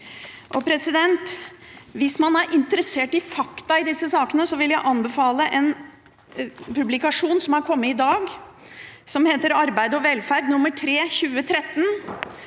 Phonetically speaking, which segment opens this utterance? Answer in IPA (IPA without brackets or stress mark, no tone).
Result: ʔ